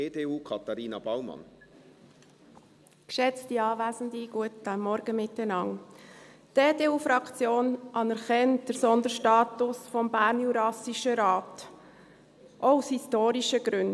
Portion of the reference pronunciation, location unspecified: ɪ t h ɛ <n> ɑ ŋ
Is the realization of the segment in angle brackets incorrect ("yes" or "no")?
no